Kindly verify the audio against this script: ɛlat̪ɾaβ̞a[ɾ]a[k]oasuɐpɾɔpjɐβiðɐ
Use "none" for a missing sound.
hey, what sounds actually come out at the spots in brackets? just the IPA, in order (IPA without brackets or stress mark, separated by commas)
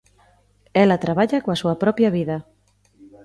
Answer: ʎ, k